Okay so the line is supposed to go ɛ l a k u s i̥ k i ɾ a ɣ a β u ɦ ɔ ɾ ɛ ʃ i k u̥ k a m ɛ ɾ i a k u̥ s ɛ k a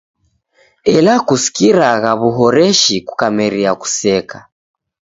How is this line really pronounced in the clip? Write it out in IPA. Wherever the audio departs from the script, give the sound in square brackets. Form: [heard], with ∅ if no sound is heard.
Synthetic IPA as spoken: ɛ l a k u s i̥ k i ɾ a ɣ a β u ɦ ɔ ɾ ɛ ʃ i k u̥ k a m ɛ ɾ i a k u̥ s ɛ k a